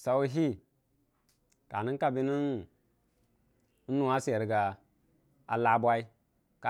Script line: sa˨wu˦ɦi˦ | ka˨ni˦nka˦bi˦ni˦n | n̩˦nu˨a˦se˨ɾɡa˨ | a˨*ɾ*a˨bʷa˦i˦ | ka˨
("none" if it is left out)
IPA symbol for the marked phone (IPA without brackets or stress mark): l